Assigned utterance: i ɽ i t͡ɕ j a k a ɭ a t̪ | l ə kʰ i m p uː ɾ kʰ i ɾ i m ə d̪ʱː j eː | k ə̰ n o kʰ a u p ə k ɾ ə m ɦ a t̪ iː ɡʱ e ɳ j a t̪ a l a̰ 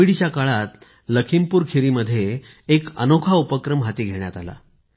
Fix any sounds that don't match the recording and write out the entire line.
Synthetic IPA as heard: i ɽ i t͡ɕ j a k a ɭ a t̪ | l ə kʰ i m p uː ɾ kʰ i ɾ i m ə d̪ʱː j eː | k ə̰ n o kʰ a u p ə k ɾ ə m ɦ a t̪ iː ɡʱ e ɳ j a t̪ a l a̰